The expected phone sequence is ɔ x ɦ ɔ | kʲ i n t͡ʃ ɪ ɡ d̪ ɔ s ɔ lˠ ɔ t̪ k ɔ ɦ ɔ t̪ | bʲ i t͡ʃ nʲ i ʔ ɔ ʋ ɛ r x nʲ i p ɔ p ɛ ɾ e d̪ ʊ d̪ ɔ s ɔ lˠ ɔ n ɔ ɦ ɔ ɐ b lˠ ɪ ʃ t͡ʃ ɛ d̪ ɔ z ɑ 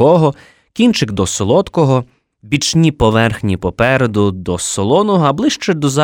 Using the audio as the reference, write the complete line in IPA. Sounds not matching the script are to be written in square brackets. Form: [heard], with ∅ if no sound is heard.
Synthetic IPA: ɔ [∅] ɦ ɔ | kʲ i n t͡ʃ ɪ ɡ d̪ ɔ s ɔ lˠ ɔ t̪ k ɔ ɦ ɔ [∅] | bʲ i t͡ʃ nʲ i [p] ɔ ʋ ɛ r x nʲ i p ɔ p ɛ ɾ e d̪ ʊ d̪ ɔ s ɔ lˠ ɔ n ɔ ɦ ɔ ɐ b lˠ ɪ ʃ t͡ʃ ɛ d̪ ɔ z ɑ